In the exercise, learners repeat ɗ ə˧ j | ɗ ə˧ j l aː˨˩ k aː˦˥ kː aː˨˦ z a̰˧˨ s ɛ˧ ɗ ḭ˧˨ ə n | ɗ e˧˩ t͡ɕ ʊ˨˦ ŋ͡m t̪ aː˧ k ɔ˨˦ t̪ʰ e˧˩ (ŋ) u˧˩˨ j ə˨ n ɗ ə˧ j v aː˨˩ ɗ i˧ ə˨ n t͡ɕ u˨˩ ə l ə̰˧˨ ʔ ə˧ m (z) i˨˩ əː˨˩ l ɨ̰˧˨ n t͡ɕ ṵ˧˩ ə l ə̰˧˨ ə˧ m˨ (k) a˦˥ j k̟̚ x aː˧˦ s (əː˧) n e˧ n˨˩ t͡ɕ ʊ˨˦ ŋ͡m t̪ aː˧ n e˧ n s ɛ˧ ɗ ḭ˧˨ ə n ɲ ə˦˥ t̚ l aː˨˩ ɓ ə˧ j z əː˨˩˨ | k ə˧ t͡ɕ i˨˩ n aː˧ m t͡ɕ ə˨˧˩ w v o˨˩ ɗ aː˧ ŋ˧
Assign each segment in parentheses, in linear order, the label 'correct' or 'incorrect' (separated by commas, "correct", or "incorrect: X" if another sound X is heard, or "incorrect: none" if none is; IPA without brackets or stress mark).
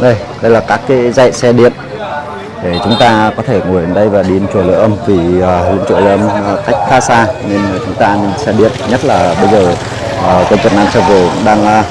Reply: correct, incorrect: v, correct, incorrect: aː˧